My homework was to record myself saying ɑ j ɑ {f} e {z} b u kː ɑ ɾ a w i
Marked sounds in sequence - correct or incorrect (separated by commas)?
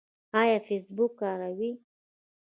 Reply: correct, incorrect